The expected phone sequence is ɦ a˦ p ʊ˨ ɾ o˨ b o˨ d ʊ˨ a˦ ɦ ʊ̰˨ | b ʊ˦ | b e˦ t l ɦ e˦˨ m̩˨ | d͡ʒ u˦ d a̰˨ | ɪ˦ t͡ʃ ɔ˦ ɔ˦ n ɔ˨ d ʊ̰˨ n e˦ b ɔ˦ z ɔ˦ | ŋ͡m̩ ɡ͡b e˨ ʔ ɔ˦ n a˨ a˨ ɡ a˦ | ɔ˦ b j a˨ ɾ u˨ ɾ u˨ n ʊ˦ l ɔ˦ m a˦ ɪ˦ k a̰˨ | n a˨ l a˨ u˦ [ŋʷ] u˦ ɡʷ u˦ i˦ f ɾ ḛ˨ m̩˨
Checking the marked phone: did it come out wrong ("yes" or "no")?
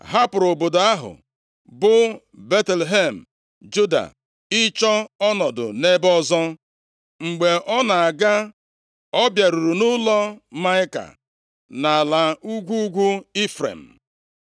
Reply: yes